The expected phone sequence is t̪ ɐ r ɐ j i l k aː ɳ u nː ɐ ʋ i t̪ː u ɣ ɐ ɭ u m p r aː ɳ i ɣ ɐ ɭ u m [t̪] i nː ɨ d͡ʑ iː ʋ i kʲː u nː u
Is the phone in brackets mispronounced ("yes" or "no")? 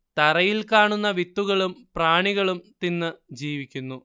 no